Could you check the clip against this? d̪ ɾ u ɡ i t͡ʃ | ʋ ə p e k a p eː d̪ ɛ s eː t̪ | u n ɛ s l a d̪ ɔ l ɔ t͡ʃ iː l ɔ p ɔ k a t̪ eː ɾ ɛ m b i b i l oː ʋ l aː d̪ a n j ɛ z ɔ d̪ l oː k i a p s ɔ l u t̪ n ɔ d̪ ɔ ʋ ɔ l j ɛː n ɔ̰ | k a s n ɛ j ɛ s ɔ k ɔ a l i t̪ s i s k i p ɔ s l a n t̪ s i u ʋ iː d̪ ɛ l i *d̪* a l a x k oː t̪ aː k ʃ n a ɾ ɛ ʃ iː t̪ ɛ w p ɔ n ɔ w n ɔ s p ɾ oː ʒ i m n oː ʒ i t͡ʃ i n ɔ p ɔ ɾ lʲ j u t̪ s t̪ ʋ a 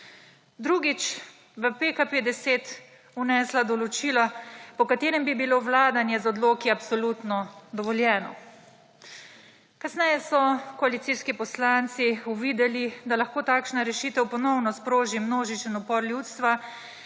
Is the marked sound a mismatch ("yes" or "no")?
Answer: no